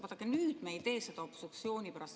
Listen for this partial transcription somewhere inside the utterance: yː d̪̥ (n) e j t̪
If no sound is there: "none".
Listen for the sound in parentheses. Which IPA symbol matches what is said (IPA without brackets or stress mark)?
m